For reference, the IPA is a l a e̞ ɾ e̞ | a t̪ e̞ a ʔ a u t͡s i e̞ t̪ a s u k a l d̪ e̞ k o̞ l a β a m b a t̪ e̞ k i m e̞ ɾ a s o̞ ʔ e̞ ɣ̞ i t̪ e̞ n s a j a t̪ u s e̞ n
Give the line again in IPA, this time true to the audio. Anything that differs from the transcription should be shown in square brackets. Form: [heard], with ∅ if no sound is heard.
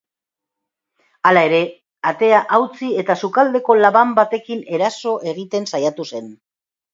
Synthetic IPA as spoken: a l a e̞ ɾ e̞ | a t̪ e̞ a ʔ a [w] t͡s i e̞ t̪ a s u k a l d̪ e̞ k o̞ l a β a m b a t̪ e̞ k i [n] e̞ ɾ a s o̞ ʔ e̞ ɣ̞ i t̪ e̞ n s a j a t̪ u s e̞ n